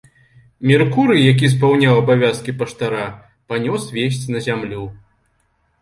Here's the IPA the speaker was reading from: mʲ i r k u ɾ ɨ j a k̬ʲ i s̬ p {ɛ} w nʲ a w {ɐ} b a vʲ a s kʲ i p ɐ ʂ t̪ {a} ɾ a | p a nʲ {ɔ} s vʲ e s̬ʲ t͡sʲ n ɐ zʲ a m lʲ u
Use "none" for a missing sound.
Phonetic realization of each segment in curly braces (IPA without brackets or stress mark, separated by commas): a, ɐ, a, ɔ